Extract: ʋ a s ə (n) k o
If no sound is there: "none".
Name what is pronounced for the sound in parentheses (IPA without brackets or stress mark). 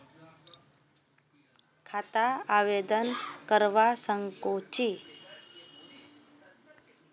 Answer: ŋ